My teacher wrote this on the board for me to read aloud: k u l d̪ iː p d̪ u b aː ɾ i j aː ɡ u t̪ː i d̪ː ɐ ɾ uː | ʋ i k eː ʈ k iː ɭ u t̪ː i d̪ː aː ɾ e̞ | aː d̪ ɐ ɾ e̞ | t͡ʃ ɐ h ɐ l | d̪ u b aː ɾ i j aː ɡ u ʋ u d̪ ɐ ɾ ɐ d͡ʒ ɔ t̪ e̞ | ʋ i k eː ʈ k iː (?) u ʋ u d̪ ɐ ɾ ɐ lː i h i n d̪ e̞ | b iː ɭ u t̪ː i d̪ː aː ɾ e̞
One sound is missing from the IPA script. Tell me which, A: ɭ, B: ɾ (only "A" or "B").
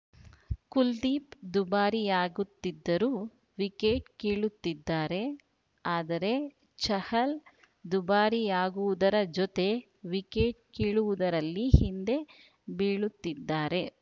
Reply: A